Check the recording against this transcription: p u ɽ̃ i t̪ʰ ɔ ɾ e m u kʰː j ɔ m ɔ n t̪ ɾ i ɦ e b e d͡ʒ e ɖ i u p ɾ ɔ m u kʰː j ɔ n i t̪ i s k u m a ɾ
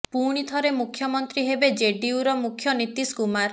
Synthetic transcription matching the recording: p u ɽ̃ i t̪ʰ ɔ ɾ e m u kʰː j ɔ m ɔ n t̪ ɾ i ɦ e b e d͡ʒ e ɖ i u ɾ ɔ m u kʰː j ɔ n i t̪ i s k u m a ɾ